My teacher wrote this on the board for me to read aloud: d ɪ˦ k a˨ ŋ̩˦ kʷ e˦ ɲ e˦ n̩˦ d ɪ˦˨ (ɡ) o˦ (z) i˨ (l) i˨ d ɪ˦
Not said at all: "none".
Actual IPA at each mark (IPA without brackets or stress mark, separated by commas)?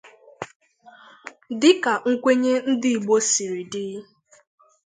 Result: ɡ͡b, s, ɾ